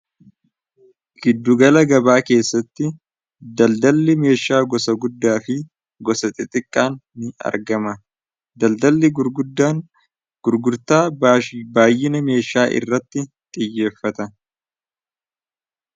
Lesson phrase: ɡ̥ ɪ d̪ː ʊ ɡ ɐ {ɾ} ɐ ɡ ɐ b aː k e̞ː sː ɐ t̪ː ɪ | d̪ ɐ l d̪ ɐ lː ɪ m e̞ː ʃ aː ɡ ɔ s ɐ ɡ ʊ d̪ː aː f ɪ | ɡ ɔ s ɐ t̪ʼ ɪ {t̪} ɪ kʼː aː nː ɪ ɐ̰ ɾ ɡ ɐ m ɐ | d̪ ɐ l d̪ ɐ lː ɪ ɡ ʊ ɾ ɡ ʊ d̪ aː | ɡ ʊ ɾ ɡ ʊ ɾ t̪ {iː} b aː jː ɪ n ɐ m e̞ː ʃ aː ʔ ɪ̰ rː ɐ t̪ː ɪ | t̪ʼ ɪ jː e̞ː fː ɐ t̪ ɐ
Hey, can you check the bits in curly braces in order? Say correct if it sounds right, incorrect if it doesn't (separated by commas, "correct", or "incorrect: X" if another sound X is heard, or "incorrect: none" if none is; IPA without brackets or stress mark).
incorrect: l, incorrect: t̪ʼ, incorrect: aː